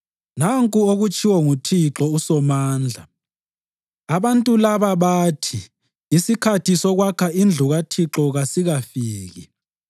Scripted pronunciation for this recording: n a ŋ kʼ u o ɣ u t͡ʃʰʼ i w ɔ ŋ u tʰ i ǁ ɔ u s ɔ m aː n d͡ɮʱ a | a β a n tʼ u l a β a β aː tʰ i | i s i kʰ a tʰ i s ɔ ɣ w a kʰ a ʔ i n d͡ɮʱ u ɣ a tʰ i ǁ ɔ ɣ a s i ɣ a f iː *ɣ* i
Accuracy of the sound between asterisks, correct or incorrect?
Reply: correct